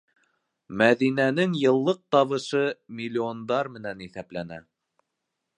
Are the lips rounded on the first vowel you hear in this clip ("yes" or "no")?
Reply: no